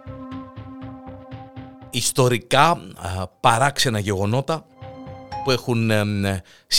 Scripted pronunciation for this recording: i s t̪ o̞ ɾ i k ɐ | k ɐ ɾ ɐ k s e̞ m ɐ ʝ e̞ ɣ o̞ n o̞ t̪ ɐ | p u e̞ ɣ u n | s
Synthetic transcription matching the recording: i s t̪ o̞ ɾ i k ɐ | p ɐ ɾ ɐ k s e̞ n ɐ ʝ e̞ ɣ o̞ n o̞ t̪ ɐ | p u e̞ x u n | s